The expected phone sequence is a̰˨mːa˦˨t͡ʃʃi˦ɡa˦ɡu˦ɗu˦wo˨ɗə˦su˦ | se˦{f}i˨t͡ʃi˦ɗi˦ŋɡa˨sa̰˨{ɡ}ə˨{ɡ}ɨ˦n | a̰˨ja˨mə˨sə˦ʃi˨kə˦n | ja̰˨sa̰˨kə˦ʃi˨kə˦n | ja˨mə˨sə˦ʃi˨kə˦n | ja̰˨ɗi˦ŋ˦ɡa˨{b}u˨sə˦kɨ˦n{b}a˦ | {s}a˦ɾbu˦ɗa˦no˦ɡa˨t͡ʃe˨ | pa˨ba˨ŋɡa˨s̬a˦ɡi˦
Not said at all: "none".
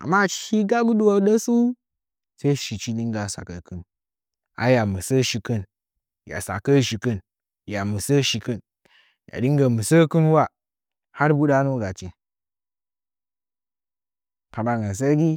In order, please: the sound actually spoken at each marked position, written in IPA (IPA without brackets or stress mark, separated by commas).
ʃ, k, k, m, w, h